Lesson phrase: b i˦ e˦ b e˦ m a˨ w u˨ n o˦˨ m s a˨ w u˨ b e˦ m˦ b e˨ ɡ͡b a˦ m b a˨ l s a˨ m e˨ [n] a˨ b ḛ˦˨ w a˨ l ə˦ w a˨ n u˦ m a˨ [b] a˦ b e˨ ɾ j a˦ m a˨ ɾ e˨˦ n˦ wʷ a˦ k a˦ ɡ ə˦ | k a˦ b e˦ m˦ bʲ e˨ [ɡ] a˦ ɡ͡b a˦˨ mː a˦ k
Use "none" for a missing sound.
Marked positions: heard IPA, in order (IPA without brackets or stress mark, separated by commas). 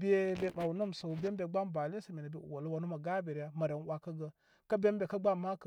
n, ɡ, k